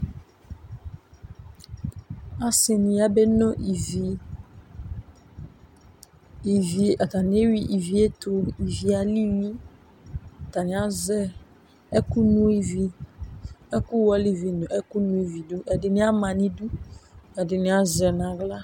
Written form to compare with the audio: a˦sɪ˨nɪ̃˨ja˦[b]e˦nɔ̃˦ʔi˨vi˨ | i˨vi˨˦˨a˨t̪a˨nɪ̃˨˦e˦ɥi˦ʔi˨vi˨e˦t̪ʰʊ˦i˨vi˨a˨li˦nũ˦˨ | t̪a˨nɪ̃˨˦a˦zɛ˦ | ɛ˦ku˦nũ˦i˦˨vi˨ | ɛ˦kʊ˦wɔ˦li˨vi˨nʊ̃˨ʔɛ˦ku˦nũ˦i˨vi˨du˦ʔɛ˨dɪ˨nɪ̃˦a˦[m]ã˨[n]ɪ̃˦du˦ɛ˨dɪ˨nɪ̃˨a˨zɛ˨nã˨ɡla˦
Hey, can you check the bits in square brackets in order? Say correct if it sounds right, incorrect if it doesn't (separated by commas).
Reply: correct, correct, correct